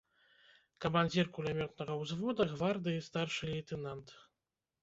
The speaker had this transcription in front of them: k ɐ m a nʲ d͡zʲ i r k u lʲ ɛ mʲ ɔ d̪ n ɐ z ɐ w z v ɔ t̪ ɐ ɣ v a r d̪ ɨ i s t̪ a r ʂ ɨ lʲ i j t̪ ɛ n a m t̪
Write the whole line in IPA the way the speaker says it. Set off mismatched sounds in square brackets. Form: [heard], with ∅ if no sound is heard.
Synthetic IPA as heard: k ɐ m a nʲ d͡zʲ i r k u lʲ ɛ mʲ ɔ [t̪] n ɐ [ɣ] ɐ w z v ɔ [d̪] ɐ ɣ v a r d̪ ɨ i s t̪ a r ʂ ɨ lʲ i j t̪ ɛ n a [n] t̪